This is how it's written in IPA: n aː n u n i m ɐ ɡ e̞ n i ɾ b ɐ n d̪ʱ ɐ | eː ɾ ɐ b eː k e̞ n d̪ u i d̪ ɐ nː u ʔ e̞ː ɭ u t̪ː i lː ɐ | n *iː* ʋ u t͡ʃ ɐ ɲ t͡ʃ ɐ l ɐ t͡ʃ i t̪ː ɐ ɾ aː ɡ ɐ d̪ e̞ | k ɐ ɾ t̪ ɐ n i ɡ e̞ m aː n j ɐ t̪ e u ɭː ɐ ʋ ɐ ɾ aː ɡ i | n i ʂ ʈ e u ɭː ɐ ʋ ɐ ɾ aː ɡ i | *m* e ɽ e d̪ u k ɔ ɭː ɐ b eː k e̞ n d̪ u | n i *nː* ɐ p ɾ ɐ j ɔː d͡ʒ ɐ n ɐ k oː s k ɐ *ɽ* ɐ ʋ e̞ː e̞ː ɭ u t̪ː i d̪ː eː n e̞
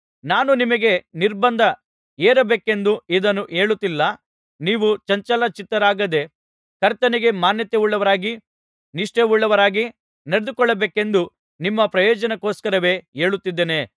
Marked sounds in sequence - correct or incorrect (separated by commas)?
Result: correct, incorrect, incorrect, incorrect